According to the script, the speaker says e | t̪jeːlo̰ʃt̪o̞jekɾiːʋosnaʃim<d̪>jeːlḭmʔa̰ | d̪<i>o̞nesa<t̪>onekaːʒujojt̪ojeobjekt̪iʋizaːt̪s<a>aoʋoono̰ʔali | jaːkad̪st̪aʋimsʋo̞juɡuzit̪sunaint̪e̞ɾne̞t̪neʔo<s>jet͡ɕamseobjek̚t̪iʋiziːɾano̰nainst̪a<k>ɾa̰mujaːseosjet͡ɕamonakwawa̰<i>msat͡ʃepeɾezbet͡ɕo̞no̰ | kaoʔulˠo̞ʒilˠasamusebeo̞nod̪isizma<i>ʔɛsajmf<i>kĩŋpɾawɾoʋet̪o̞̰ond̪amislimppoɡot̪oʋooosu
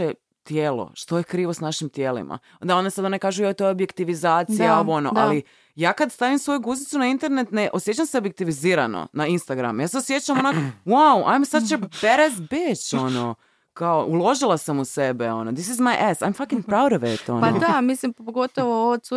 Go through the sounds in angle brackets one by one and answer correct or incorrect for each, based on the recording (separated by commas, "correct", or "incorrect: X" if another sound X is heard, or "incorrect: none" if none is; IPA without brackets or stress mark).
incorrect: t̪, incorrect: a, incorrect: d̪, incorrect: i, correct, incorrect: ɡ, incorrect: j, incorrect: j, incorrect: a